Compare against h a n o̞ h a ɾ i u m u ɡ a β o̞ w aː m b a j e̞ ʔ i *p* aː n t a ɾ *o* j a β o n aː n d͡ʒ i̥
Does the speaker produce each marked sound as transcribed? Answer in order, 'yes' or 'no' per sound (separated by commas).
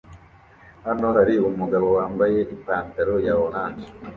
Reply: yes, yes